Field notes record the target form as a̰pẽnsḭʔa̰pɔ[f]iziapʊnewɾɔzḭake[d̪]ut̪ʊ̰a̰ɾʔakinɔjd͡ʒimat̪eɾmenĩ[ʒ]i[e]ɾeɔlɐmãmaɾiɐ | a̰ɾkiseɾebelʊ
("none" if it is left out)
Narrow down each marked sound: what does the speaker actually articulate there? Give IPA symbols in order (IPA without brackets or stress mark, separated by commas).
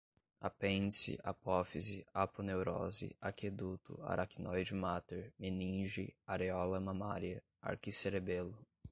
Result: f, d̪, ʒ, a